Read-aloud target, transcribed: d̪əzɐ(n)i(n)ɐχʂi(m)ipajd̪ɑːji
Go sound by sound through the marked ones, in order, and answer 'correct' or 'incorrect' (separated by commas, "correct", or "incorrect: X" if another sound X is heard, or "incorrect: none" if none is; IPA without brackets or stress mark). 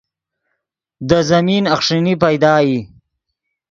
incorrect: m, correct, incorrect: n